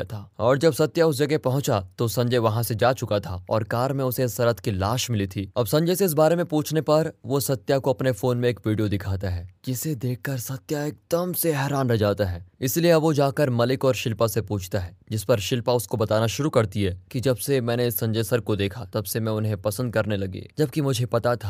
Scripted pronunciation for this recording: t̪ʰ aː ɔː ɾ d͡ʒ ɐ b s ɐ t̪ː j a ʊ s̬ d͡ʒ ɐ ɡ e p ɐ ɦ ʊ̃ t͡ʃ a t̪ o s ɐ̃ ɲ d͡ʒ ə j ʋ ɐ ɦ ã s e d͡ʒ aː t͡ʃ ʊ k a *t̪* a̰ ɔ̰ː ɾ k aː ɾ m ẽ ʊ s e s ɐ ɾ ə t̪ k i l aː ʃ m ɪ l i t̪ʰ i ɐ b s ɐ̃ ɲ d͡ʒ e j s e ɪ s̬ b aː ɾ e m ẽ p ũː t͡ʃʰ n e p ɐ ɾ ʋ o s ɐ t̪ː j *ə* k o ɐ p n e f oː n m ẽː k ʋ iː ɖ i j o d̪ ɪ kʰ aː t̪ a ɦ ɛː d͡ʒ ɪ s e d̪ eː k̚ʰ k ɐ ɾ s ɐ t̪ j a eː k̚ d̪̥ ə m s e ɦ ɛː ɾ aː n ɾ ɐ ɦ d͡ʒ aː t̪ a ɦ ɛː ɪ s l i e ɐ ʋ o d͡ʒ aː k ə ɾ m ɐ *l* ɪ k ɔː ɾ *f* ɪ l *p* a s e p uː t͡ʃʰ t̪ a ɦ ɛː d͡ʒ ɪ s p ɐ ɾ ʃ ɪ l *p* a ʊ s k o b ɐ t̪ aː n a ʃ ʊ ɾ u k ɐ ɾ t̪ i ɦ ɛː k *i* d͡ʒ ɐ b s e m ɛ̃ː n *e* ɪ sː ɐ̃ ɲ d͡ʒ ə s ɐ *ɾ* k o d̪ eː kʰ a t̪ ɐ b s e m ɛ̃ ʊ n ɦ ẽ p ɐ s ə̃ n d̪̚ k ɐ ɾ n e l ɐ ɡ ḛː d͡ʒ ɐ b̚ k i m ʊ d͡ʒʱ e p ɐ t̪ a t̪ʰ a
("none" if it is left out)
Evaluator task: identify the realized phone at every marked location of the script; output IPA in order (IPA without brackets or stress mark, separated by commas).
t̪ʰ, a, l, ʃ, p, p, i, e, ɾ